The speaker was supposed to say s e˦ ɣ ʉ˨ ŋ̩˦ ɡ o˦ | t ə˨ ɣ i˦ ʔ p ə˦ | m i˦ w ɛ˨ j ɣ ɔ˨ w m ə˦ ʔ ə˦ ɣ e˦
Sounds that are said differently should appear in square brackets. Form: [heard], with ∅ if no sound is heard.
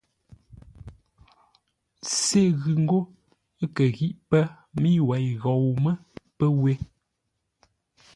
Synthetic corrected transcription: s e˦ ɣ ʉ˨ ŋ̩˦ ɡ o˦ | [k] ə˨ ɣ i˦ ʔ p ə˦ | m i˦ w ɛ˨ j ɣ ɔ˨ w m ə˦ [p] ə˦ [w] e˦

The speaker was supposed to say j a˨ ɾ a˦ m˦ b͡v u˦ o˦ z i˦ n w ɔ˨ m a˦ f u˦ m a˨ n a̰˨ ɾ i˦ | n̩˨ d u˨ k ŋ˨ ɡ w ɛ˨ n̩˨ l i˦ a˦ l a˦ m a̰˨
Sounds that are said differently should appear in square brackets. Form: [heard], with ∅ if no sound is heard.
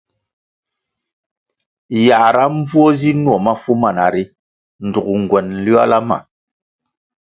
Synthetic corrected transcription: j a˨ ɾ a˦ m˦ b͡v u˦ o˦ z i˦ n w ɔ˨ m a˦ f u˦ m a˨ n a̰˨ ɾ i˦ | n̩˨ d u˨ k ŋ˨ ɡ w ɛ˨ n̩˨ l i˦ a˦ l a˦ m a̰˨

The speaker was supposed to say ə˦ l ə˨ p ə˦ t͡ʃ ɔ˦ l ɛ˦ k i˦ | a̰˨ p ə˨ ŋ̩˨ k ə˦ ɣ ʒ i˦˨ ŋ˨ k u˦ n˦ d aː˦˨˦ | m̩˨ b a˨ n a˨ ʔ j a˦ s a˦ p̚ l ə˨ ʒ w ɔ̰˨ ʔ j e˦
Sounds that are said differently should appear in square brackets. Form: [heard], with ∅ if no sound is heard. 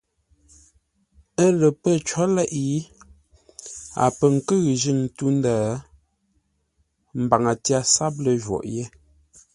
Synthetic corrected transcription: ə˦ l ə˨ p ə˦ t͡ʃ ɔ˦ l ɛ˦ [ʔ] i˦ | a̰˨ p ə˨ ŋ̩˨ k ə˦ ɣ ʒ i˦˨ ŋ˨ [t] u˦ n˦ d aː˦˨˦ | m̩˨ b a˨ [ŋ] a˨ [t] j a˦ s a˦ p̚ l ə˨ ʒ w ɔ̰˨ ʔ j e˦

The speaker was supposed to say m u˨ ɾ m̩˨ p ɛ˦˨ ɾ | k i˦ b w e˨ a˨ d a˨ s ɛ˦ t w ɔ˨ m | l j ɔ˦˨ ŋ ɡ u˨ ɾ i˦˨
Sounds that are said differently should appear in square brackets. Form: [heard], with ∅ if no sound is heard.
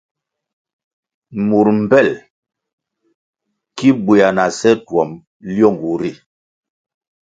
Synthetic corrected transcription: m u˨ ɾ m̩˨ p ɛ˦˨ [l] | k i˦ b w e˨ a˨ [n] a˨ s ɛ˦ t w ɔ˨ m | l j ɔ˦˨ ŋ ɡ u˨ ɾ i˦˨

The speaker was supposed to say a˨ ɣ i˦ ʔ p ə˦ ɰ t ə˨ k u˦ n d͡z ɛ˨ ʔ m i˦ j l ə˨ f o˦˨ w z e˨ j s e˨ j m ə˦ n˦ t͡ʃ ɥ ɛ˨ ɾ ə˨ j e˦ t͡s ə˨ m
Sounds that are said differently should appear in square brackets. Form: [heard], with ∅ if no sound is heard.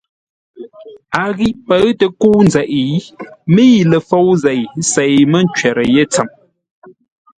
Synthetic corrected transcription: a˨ ɣ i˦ ʔ p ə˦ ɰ t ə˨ k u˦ n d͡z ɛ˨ ʔ m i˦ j l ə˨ f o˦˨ w z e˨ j s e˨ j m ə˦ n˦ t͡ʃ ɥ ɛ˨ ɾ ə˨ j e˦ t͡s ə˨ m

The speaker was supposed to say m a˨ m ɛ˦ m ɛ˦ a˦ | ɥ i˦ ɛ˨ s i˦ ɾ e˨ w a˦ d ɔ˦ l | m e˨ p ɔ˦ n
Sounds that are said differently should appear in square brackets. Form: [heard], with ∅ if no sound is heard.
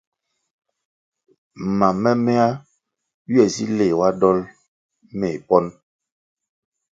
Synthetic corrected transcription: m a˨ m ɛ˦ m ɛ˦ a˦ | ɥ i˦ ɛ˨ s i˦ [l] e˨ w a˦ d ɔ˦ l | m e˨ p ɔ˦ n

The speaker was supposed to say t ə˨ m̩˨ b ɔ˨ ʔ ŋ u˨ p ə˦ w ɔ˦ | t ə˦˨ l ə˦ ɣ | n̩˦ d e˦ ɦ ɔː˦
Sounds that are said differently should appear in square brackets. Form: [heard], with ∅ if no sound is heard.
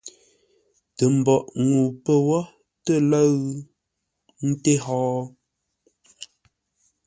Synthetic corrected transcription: t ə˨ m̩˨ b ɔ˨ ʔ ŋ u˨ p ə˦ w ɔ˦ | t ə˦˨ l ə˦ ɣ | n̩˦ [t] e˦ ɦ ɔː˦

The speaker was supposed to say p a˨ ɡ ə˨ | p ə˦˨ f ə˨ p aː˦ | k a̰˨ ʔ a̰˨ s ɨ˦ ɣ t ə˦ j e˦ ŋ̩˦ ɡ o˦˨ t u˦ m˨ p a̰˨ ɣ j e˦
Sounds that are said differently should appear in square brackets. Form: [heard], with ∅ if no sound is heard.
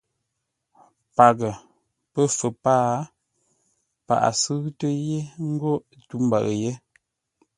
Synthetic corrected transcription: p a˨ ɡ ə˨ | p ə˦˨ f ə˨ p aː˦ | [p] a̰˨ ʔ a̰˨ s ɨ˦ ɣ t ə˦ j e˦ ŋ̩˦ ɡ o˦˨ t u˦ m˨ [b] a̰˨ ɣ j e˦

